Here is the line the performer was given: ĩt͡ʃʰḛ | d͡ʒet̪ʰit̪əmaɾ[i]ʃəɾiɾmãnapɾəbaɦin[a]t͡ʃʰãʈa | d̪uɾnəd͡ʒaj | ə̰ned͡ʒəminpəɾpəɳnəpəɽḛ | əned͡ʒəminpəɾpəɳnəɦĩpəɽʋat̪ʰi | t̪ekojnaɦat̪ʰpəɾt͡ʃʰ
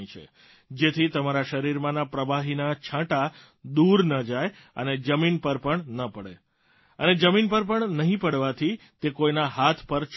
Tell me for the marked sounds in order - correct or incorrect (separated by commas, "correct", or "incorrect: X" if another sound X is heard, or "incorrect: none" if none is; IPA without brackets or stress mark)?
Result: incorrect: a, correct